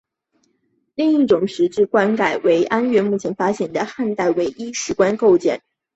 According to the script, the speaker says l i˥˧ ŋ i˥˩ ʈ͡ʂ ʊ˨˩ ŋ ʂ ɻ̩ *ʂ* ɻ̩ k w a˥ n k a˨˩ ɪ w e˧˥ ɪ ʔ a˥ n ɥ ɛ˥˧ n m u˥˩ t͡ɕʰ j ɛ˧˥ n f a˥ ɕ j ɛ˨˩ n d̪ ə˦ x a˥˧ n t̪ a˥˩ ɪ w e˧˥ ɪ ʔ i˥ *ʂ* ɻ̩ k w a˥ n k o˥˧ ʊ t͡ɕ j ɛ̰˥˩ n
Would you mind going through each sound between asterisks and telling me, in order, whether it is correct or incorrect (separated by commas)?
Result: incorrect, correct